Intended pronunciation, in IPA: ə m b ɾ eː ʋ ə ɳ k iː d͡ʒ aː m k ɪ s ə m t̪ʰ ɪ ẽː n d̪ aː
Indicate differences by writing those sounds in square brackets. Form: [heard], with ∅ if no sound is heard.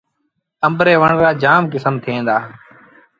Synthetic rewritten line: ə m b ɾ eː ʋ ə ɳ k [aː] d͡ʒ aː m k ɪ s ə m t̪ʰ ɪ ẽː n d̪ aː